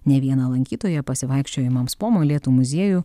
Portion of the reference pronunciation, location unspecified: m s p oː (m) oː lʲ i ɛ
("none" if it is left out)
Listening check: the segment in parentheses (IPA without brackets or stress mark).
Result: m